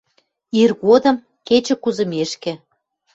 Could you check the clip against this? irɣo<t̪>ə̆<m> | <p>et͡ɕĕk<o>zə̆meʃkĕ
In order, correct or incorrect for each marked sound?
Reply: incorrect: d̪, correct, incorrect: k, incorrect: u

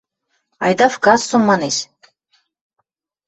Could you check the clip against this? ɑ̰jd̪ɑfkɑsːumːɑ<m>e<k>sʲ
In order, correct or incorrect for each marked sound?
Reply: incorrect: n, incorrect: none

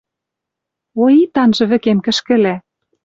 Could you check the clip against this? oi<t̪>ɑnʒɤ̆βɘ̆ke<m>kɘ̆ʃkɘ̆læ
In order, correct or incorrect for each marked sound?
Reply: correct, correct

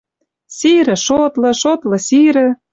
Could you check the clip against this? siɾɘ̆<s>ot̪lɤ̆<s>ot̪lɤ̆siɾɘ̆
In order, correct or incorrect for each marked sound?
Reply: incorrect: ʃ, incorrect: ʃ

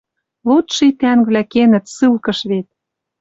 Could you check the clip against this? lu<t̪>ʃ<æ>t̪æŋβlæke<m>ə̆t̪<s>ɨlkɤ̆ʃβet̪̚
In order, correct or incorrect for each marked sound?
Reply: correct, incorrect: i, incorrect: n, correct

